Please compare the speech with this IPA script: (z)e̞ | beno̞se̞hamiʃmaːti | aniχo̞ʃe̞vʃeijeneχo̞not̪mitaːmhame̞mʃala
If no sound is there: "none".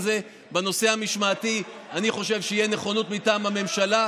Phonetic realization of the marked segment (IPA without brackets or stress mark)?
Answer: z